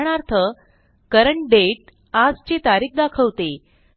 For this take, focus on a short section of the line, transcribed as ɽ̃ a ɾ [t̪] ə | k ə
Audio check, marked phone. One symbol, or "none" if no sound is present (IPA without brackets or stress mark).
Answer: t̪ʰ